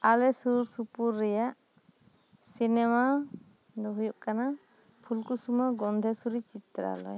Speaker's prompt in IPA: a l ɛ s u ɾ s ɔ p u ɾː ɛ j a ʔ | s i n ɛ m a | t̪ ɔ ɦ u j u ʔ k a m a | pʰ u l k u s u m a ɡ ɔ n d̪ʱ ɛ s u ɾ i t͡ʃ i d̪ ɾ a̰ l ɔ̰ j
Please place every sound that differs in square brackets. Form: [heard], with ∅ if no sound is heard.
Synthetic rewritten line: a l ɛ s u ɾ s [u] p u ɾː ɛ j a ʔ | s i n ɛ m a | [d̪] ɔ ɦ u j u ʔ k a [n] a | pʰ u l k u s u m a ɡ ɔ n d̪ʱ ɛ s u ɾ i t͡ʃ i [t̪] ɾ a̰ l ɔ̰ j